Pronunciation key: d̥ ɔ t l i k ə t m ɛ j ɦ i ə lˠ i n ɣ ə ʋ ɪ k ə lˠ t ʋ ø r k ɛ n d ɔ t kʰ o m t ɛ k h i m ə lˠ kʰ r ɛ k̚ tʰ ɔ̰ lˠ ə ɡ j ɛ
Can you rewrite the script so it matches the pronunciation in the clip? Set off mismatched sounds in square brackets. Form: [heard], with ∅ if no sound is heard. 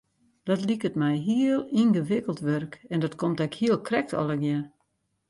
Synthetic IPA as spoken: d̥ ɔ t l i k ə t m ɛ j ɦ i ə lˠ i n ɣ ə ʋ ɪ k ə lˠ t ʋ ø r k ɛ n d ɔ t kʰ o m t ɛ k h i [∅] ə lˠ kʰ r ɛ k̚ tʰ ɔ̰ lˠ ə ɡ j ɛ